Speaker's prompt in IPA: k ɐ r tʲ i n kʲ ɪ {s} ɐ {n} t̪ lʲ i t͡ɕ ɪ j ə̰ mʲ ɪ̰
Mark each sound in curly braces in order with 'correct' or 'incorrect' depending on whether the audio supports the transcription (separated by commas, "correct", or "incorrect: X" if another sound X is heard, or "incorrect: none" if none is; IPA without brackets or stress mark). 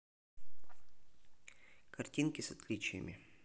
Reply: correct, incorrect: none